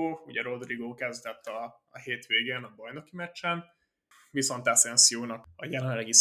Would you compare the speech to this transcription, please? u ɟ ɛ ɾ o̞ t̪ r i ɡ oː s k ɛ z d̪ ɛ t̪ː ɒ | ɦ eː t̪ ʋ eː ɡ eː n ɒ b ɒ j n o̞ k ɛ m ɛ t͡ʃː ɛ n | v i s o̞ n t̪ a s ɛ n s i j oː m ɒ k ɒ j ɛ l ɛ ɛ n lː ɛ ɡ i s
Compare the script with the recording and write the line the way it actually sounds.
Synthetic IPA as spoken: u ɟ ɛ ɾ o̞ d̪ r i ɡ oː k ɛ z d̪ ɛ t̪ː ɒ | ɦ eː t̪ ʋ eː ɡ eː n ɒ b ɒ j n o̞ k i m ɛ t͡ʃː ɛ n | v i s o̞ n t̪ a s ɛ n s i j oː n ɒ k ɒ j ɛ l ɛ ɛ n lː ɛ ɡ i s